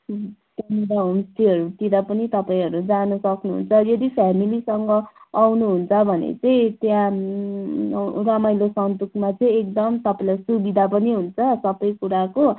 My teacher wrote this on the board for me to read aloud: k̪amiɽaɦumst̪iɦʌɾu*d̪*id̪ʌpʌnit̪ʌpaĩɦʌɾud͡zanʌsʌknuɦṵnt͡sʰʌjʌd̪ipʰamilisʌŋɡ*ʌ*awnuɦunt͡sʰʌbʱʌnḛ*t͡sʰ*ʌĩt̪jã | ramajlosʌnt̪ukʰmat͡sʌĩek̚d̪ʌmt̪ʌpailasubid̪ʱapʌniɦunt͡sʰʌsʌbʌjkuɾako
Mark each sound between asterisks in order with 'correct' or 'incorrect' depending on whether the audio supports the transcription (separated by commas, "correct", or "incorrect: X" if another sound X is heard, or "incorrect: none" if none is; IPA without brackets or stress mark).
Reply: incorrect: t̪, correct, incorrect: t͡s